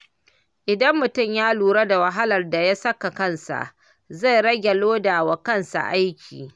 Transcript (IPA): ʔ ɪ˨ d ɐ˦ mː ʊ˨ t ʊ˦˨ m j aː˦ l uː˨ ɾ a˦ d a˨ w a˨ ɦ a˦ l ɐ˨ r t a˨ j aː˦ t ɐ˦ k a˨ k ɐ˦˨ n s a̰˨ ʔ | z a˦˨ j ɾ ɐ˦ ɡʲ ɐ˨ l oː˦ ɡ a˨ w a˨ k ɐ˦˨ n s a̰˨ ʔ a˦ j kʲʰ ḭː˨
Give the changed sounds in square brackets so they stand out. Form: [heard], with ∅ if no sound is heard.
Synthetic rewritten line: ʔ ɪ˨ d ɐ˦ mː ʊ˨ t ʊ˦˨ m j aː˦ l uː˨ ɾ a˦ d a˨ w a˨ ɦ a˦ l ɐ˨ r [d] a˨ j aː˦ [s] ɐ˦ k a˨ k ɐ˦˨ n s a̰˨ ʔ | z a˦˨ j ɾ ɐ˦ ɡʲ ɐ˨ l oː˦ [d] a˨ w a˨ k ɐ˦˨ n s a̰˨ ʔ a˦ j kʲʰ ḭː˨

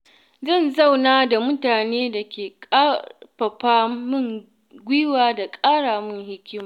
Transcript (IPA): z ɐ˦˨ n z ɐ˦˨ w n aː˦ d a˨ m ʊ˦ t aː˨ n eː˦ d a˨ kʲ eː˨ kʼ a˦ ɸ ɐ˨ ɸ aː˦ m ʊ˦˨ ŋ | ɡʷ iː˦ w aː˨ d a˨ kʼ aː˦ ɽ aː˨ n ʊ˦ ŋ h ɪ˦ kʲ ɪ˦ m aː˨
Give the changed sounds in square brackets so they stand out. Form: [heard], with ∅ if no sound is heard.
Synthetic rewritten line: z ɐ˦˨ n z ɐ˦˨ w n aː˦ d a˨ m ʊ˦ t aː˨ n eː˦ d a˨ kʲ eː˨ kʼ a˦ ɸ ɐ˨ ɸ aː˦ m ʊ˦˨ ŋ | ɡʷ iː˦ w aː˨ d a˨ kʼ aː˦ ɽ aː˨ [m] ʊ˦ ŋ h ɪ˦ kʲ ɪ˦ m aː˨

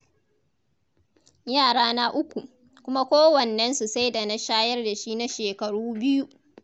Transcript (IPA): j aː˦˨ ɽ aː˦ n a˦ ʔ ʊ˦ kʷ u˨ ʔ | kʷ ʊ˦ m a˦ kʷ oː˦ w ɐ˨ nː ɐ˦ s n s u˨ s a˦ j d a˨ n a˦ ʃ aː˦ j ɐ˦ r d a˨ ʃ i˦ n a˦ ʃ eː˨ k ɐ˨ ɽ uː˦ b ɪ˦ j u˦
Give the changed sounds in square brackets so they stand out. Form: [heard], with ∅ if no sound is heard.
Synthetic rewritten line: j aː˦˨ ɽ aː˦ n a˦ ʔ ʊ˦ kʷ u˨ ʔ | kʷ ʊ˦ m a˦ kʷ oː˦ w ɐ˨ nː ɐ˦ [∅] n s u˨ s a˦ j d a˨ n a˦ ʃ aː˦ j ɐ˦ r d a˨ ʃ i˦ n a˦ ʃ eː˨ k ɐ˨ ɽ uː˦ b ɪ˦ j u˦

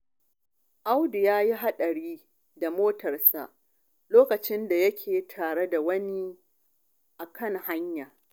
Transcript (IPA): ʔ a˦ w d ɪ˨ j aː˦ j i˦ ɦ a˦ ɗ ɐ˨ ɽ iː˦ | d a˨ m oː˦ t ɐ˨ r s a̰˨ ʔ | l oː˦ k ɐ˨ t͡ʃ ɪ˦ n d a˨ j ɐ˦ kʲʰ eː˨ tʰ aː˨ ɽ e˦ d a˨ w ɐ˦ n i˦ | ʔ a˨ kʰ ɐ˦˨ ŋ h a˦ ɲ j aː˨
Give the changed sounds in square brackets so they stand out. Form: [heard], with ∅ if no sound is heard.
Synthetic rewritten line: ʔ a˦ w d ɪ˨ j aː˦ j i˦ ɦ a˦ ɗ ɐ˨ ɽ iː˦ | d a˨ m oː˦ t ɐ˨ r s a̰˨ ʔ | l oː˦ k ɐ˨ t͡ʃ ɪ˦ n d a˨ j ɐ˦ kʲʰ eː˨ tʰ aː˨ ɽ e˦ d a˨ w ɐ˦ n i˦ | ʔ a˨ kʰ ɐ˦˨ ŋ h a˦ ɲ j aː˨

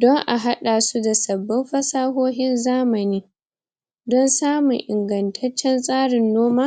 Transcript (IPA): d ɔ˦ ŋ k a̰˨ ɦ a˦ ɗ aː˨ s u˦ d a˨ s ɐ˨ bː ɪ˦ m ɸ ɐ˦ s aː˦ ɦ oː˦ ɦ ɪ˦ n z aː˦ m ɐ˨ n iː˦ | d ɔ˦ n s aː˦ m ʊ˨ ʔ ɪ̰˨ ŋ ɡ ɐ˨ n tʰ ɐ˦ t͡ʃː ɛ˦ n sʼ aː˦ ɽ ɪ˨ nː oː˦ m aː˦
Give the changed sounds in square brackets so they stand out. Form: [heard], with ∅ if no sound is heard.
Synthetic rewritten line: d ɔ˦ ŋ [ʔ] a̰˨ ɦ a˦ ɗ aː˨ s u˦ d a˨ s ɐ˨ bː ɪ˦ m ɸ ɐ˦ s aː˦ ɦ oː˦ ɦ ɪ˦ n z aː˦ m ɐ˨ n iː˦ | d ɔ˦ n s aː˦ m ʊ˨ ʔ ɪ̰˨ ŋ ɡ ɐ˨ n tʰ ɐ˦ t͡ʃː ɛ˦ n sʼ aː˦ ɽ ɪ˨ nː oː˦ m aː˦

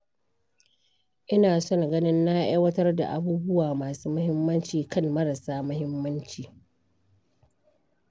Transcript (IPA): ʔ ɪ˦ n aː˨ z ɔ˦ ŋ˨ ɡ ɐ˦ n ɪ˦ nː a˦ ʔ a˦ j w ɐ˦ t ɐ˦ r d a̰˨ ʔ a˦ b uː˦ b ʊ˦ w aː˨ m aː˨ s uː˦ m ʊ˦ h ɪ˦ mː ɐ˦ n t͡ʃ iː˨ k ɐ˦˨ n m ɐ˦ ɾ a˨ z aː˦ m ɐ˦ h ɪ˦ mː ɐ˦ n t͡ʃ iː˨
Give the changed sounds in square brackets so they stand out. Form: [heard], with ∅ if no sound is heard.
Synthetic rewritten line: ʔ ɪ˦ n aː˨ [s] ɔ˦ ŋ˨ ɡ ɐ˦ n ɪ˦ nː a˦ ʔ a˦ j w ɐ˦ t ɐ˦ r d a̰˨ ʔ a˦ b uː˦ b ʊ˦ w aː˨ m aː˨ s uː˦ m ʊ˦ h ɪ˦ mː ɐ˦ n t͡ʃ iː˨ k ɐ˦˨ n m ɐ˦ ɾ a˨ [s] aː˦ m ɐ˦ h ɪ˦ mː ɐ˦ n t͡ʃ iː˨

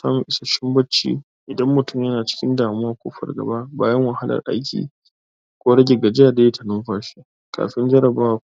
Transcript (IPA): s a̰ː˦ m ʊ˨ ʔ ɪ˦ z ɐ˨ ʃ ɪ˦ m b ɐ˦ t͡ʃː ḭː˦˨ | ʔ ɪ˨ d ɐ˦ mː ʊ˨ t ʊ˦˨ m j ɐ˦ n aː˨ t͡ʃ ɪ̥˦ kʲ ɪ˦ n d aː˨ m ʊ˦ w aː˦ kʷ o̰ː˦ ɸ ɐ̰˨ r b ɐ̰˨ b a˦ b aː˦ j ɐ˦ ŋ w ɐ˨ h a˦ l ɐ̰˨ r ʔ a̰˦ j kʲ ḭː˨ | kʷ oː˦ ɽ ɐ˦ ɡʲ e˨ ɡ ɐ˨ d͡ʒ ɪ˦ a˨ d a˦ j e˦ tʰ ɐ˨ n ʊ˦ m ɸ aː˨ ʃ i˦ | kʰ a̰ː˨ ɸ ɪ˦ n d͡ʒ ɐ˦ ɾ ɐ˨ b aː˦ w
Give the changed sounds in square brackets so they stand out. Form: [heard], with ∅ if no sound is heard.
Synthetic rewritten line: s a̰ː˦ m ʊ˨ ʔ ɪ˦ [s] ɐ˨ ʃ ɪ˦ m b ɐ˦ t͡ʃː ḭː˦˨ | ʔ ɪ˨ d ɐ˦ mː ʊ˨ t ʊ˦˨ m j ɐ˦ n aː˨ t͡ʃ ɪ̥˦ kʲ ɪ˦ n d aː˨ m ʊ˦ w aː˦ kʷ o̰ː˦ ɸ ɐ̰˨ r [ɡ] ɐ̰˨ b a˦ b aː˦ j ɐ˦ ŋ w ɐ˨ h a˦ l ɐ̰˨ r ʔ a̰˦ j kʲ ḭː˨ | kʷ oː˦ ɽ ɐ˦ ɡʲ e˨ ɡ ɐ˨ d͡ʒ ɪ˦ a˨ d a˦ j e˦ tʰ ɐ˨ n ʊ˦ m ɸ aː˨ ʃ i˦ | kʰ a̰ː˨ ɸ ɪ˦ n d͡ʒ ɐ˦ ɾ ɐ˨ b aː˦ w

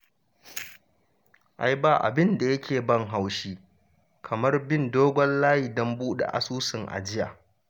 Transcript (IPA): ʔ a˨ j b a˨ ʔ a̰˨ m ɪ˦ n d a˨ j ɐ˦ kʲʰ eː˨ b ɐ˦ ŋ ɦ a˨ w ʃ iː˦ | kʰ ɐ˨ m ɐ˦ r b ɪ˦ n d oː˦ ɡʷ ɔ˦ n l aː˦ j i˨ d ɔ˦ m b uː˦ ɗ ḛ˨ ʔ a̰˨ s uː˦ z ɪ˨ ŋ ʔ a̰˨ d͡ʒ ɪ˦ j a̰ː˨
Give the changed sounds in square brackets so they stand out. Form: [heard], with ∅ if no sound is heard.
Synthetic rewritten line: ʔ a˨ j b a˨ ʔ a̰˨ [b] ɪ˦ n d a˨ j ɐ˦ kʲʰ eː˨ b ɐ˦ ŋ ɦ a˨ w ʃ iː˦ | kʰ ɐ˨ m ɐ˦ r b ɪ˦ n d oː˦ ɡʷ ɔ˦ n l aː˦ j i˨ d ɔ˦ m b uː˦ ɗ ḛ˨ ʔ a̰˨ s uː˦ [s] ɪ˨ ŋ ʔ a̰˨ d͡ʒ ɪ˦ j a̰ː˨

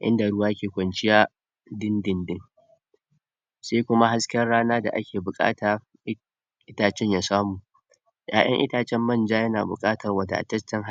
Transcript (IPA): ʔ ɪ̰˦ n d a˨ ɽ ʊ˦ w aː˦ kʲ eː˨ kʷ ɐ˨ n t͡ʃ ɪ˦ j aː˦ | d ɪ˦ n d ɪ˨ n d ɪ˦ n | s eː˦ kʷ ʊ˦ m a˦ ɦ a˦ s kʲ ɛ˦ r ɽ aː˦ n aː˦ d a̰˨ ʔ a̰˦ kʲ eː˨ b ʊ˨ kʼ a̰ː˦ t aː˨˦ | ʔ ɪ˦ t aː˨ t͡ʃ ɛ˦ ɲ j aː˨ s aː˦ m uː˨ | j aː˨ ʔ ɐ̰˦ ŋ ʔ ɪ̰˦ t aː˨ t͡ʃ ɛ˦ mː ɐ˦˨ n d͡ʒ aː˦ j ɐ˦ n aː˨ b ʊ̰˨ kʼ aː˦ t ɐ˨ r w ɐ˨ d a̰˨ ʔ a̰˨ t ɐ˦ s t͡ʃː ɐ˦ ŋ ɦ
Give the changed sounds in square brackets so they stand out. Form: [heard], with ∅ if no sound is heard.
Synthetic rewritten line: ʔ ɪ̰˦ n d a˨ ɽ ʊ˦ w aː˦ kʲ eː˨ kʷ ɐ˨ n t͡ʃ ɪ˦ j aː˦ | d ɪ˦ n d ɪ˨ n d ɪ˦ [ŋ] | s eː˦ kʷ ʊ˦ m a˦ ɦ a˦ s kʲ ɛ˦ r ɽ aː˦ n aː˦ d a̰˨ ʔ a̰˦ kʲ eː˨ b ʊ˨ kʼ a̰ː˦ t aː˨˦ | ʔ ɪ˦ t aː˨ t͡ʃ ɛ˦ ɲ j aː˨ s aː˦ m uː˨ | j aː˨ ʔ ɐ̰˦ ŋ ʔ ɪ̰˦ t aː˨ t͡ʃ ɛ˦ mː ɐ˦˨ n d͡ʒ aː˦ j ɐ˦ n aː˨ b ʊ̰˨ kʼ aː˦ t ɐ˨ r w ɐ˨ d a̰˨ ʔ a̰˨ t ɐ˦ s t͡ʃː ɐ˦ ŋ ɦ

